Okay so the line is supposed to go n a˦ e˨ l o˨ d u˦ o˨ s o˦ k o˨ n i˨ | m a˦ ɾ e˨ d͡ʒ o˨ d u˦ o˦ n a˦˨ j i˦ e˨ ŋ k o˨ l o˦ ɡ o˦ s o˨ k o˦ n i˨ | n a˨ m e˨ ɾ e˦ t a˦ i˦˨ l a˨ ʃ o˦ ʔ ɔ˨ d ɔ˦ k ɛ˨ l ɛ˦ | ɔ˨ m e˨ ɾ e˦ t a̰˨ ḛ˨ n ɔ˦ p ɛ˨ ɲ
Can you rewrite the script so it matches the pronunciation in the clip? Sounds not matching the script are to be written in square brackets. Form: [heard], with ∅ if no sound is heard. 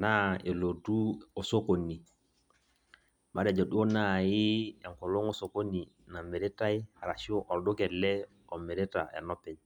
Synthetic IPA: n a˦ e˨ l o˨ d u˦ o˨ s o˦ k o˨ n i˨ | m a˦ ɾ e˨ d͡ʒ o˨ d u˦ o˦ n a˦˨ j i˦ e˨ ŋ k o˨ l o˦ [ŋ] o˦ s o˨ k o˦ n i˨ | n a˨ m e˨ ɾ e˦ t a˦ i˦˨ [ɾ] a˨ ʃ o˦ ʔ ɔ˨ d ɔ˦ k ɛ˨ l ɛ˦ | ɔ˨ m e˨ ɾ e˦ t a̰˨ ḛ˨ n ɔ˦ p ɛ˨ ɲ

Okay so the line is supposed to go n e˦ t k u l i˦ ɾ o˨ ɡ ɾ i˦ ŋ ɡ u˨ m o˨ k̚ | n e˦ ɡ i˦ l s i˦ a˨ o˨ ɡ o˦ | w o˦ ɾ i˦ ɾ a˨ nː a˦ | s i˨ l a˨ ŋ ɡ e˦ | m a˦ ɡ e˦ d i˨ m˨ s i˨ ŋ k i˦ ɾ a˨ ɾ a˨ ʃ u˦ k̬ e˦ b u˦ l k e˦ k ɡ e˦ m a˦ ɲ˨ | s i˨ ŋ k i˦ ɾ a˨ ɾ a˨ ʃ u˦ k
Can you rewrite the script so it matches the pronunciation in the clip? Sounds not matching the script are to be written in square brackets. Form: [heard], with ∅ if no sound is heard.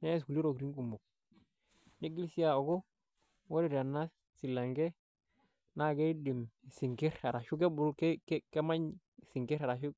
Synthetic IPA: n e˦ [s] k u l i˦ ɾ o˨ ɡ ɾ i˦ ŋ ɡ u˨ m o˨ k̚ | n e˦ ɡ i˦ l s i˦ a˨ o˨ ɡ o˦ | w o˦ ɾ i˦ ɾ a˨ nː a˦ | s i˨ l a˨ ŋ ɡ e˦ | [n] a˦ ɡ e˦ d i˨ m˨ s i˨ ŋ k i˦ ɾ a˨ ɾ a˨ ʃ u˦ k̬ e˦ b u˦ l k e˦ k [k] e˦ m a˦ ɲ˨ | s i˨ ŋ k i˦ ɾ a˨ ɾ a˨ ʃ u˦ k

